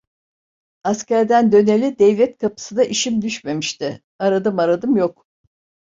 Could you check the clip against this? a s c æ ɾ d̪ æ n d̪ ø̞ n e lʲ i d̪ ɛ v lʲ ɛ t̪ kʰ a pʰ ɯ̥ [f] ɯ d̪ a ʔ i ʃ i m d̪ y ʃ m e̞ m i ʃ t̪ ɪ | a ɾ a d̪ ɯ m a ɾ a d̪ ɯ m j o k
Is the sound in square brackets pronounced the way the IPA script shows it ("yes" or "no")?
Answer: no